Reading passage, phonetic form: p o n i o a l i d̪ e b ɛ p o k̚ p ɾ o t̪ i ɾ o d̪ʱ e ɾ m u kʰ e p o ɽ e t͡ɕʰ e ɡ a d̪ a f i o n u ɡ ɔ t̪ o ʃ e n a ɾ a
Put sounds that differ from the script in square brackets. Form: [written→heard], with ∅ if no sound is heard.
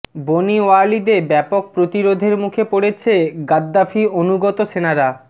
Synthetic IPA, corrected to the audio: [p→b] o n i o a l i d̪ e b ɛ p o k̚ p ɾ o t̪ i ɾ o d̪ʱ e ɾ m u kʰ e p o ɽ e t͡ɕʰ e ɡ a [d̪→d̪ː] a f i o n u ɡ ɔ t̪ o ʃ e n a ɾ a